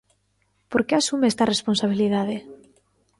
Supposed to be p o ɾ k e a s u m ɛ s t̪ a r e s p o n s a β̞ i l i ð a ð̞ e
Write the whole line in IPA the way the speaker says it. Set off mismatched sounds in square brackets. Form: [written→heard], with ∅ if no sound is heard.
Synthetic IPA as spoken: p o ɾ k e a s u m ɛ s t̪ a r e s p o n s a β̞ i l i ð a ð̞ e